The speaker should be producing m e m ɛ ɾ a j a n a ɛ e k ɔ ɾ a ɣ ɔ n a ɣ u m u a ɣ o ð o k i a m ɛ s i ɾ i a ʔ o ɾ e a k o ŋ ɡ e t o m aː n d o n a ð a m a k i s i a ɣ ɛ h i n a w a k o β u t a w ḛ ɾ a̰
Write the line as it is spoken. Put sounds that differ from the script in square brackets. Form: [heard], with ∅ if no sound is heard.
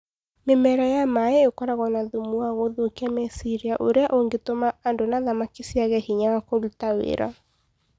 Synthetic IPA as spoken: m e m ɛ ɾ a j a [m] a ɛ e k ɔ ɾ a ɣ ɔ n a [ð] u m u a ɣ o ð o k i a m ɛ s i ɾ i a ʔ o ɾ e a [ʔ] o ŋ ɡ e t o m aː n d o n a ð a m a k i s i a ɣ ɛ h i [ɲ] a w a k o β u t a w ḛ ɾ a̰